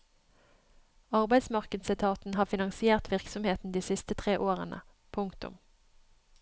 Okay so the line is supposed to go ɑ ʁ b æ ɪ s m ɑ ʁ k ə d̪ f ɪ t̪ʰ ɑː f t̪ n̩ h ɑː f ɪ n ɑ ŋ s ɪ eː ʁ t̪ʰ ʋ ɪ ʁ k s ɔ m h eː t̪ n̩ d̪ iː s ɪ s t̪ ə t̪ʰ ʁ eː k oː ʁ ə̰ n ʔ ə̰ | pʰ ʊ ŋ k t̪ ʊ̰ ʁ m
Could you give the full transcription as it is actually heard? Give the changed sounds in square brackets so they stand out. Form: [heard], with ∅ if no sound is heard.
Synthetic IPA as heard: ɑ ʁ b æ ɪ s m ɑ ʁ k ə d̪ [s] ɪ t̪ʰ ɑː [∅] t̪ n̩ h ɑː f ɪ n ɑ ŋ s ɪ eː ʁ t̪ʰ ʋ ɪ ʁ k s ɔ m h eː t̪ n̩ d̪ iː s ɪ s t̪ ə t̪ʰ ʁ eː [ʔ] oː ʁ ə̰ n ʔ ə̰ | pʰ ʊ ŋ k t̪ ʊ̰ [∅] m

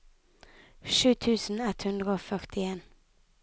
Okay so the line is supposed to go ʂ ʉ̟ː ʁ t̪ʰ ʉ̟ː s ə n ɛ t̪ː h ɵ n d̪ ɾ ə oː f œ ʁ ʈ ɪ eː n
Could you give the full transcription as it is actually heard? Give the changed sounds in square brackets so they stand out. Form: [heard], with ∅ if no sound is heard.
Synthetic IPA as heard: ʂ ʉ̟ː [∅] t̪ʰ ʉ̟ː s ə n ɛ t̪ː h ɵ n d̪ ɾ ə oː f œ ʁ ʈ ɪ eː n

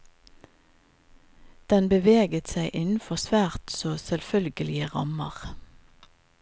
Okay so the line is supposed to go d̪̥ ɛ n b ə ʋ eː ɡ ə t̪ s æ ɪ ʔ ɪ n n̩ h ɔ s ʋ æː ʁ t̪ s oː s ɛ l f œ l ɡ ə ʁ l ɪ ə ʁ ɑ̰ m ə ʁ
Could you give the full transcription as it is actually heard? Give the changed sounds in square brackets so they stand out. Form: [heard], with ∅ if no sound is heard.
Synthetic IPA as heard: d̪̥ ɛ n b ə ʋ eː ɡ ə t̪ s æ ɪ ʔ ɪ n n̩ [f] ɔ s ʋ æː ʁ t̪ s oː s ɛ l f œ l ɡ ə [∅] l ɪ ə ʁ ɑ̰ m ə ʁ

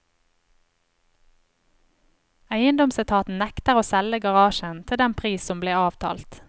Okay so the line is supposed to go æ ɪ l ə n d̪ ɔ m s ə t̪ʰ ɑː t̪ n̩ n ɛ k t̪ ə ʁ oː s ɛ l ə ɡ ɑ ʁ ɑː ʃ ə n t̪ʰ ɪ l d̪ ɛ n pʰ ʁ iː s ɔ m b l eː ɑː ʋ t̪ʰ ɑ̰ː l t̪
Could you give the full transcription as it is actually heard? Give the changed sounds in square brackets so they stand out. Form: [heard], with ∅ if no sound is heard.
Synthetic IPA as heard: æ ɪ [∅] ə n d̪ ɔ m s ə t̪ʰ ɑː t̪ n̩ n ɛ k t̪ ə ʁ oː s ɛ l ə ɡ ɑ ʁ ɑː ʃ ə n t̪ʰ ɪ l d̪ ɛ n pʰ ʁ iː s ɔ m b l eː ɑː ʋ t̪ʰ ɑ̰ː l t̪

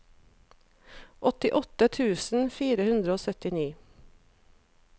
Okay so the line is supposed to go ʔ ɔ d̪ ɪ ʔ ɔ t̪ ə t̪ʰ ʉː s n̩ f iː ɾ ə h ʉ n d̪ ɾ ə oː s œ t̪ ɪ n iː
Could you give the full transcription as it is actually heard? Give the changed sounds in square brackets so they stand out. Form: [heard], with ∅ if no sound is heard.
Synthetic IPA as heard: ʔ ɔ [t̪] ɪ ʔ ɔ t̪ ə t̪ʰ ʉː s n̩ f iː ɾ ə h ʉ n d̪ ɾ ə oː s œ t̪ ɪ n iː

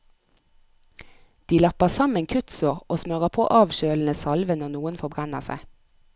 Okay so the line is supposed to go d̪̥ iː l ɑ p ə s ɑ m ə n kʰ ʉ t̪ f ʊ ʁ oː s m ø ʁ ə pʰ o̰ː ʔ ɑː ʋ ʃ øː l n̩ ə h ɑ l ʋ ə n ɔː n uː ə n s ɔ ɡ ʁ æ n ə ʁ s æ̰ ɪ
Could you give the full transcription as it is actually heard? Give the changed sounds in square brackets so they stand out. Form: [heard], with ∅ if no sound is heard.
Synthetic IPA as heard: d̪̥ iː l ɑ p ə s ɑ m ə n kʰ ʉ t̪ [s] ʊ ʁ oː s m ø ʁ ə pʰ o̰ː ʔ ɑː ʋ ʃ øː l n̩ ə [s] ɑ l ʋ ə n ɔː n uː ə n [f] ɔ [b] ʁ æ n ə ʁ s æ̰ ɪ

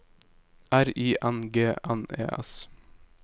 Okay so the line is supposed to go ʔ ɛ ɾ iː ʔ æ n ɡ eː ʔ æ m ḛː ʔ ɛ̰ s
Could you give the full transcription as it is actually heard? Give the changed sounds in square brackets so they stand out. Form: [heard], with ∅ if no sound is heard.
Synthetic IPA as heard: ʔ [æ] ɾ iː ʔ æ n ɡ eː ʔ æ [n] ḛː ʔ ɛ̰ s

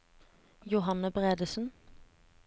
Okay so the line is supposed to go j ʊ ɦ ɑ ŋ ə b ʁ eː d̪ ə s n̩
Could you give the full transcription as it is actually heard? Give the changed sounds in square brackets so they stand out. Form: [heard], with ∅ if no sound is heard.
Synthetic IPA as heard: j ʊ ɦ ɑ [n] ə b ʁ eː d̪ ə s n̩

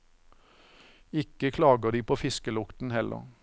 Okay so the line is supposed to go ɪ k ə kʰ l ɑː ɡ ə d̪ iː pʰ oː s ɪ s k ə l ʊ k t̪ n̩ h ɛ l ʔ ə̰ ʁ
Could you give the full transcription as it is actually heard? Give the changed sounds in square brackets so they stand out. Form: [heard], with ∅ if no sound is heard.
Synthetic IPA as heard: ɪ k ə kʰ l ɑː ɡ ə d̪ iː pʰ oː [f] ɪ s k ə l ʊ k t̪ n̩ h ɛ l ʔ ə̰ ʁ

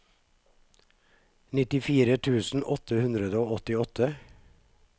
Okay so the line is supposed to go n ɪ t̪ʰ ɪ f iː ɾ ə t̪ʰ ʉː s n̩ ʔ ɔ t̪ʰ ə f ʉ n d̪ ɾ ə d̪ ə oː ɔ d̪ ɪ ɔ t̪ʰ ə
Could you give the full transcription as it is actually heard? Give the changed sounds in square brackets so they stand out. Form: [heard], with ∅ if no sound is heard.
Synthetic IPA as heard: n ɪ [t̪] ɪ f iː ɾ ə t̪ʰ ʉː s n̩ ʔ ɔ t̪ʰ ə [h] ʉ n d̪ ɾ ə d̪ ə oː ɔ [t̪] ɪ ɔ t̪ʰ ə

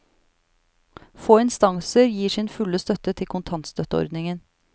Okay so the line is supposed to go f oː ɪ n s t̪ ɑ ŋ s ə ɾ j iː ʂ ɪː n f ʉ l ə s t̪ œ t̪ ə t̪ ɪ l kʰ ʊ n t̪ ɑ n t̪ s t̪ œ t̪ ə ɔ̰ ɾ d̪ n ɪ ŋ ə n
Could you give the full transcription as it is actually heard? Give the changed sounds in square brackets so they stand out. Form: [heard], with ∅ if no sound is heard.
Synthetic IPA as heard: f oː ɪ n s t̪ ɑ ŋ s ə ɾ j iː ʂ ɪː n f ʉ l ə s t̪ œ t̪ ə [t̪ʰ] ɪ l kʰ ʊ n [t̪ʰ] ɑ n t̪ s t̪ œ t̪ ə ɔ̰ ɾ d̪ n ɪ ŋ ə n

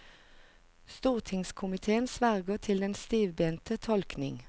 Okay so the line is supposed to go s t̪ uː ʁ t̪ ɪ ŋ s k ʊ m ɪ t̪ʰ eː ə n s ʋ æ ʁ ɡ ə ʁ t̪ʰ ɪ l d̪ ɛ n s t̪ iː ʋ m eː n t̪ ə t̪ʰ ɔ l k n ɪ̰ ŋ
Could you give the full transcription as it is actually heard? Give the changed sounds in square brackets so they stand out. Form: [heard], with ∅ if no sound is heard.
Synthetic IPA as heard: s t̪ uː ʁ [t̪ʰ] ɪ ŋ s [kʰ] ʊ m ɪ t̪ʰ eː ə n s ʋ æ ʁ ɡ ə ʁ t̪ʰ ɪ l d̪ ɛ n s t̪ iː ʋ [b] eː n t̪ ə t̪ʰ ɔ l k n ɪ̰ ŋ

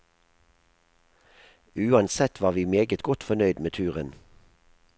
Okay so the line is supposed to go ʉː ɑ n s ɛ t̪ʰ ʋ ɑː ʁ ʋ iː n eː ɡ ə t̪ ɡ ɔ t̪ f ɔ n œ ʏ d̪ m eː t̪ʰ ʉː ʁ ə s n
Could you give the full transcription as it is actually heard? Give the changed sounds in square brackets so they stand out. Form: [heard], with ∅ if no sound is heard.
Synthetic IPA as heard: ʉː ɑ n s ɛ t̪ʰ ʋ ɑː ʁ ʋ iː [m] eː ɡ ə t̪ ɡ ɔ t̪ f ɔ n œ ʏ d̪ m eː t̪ʰ ʉː ʁ ə [∅] n

